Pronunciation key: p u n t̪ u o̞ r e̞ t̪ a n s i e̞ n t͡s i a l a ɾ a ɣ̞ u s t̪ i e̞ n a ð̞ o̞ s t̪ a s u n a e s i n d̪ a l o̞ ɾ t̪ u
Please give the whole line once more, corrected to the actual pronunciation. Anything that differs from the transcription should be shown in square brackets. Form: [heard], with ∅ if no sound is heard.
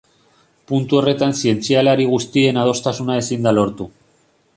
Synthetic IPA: p u n t̪ u o̞ r e̞ t̪ a n s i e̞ n t͡s i a l a ɾ [i] ɣ̞ u s t̪ i e̞ n a ð̞ o̞ s t̪ a s u n a e s i n d̪ a l o̞ ɾ t̪ u

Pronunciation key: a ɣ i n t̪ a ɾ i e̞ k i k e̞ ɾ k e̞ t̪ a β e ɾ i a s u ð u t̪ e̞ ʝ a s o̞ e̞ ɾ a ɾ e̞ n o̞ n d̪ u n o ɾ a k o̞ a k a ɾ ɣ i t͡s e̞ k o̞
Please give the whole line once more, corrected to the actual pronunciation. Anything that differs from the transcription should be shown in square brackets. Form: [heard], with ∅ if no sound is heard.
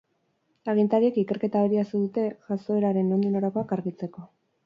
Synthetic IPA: a ɣ i n t̪ a ɾ i e̞ k i k e̞ ɾ k e̞ t̪ a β e ɾ i a s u ð u t̪ e̞ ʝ a s o̞ e̞ ɾ a ɾ e̞ n o̞ n d̪ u n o ɾ a k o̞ a k a ɾ ɣ i t͡s e̞ k o̞

